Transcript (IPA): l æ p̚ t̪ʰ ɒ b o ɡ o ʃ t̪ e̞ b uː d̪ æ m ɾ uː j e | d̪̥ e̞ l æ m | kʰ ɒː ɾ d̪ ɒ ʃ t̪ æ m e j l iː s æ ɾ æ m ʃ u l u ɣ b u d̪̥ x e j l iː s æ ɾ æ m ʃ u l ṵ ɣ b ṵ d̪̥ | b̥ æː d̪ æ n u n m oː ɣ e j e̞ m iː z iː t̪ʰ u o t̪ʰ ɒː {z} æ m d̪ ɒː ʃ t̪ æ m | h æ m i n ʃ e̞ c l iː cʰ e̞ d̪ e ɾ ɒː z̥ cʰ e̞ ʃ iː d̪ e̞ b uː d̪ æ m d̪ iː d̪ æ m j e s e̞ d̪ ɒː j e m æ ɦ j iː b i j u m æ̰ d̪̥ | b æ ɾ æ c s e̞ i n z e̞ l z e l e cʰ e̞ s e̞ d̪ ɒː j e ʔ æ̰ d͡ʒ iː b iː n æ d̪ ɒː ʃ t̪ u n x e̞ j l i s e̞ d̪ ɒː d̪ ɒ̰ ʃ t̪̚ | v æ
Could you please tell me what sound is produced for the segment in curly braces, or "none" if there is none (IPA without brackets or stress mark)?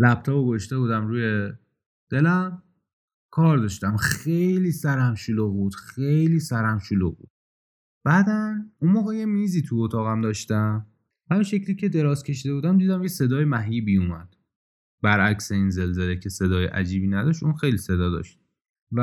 ɣ